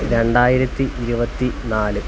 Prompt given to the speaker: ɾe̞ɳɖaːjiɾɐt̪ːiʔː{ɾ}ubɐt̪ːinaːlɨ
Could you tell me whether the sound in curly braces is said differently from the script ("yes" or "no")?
no